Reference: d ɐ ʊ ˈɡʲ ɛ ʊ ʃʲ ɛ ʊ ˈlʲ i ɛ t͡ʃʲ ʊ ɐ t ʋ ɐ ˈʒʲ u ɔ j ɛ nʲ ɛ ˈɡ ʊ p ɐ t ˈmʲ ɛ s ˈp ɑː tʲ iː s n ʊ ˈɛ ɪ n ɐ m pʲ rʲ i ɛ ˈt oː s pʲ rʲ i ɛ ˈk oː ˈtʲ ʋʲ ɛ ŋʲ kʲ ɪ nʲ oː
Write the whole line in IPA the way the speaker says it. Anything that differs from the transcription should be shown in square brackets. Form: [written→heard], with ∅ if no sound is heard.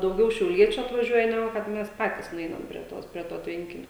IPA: d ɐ ʊ ˈɡʲ ɛ ʊ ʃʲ ɛ ʊ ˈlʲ i ɛ t͡ʃʲ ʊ ɐ t ʋ ɐ ˈʒʲ u ɔ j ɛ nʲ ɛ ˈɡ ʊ [p→k] ɐ t ˈmʲ ɛ s ˈp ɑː tʲ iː s n ʊ ˈɛ ɪ n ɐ m pʲ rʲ i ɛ ˈt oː s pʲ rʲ i ɛ [ˈk→ˈt] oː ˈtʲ ʋʲ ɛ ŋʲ kʲ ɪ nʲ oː